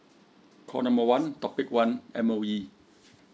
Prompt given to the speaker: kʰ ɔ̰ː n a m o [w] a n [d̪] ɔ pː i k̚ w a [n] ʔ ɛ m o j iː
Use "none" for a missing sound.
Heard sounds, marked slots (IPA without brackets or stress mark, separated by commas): w, t̪, n